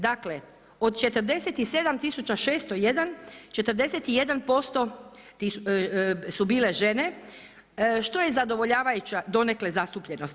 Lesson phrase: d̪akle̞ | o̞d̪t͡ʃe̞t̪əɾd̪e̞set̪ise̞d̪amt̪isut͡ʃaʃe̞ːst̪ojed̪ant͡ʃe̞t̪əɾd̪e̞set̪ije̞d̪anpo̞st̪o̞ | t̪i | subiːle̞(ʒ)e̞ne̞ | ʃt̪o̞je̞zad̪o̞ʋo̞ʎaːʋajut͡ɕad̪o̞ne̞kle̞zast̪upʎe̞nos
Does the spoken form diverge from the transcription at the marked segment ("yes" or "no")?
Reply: no